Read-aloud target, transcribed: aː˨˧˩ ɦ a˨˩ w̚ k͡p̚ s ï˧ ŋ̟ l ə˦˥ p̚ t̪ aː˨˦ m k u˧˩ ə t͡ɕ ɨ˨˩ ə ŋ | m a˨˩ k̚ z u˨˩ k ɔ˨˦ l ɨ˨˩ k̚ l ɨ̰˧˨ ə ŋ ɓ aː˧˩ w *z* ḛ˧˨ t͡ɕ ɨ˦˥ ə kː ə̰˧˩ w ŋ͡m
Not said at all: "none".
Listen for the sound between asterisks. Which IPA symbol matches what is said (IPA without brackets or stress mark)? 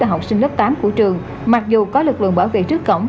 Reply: v